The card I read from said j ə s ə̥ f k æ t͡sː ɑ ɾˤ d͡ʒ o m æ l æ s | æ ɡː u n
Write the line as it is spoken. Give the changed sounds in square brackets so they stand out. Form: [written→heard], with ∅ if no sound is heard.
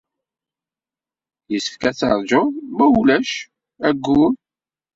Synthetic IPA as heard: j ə s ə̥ f k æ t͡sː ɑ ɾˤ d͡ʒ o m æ l æ [s→ʃ] | æ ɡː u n